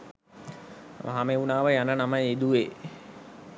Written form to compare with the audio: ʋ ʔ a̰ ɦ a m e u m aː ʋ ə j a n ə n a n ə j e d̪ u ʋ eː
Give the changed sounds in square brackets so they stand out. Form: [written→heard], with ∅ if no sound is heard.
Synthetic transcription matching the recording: ʋ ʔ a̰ ɦ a m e u [m→n] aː ʋ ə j a n ə n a [n→m] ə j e d̪ u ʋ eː